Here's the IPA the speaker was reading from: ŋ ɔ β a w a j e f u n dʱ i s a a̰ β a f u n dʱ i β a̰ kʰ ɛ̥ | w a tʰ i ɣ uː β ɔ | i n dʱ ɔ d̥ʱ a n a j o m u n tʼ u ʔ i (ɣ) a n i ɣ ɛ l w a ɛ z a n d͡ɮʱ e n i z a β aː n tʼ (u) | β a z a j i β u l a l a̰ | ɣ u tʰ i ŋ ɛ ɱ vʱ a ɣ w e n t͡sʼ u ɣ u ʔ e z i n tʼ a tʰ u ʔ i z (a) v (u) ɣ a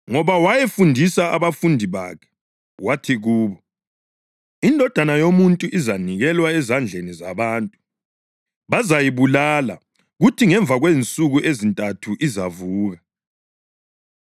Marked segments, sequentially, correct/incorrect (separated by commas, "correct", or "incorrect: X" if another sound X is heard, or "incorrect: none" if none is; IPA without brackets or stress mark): incorrect: z, correct, correct, incorrect: uː